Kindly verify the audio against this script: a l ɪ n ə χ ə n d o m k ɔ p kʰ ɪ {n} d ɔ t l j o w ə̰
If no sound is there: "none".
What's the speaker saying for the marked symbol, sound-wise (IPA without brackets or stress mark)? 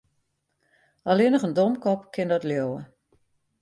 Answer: n